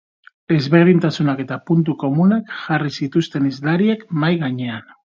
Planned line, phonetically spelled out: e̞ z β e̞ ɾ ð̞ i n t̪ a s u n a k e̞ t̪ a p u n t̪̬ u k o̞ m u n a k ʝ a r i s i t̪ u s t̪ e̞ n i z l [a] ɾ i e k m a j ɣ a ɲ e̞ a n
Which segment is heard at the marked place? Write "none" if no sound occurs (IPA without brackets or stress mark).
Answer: a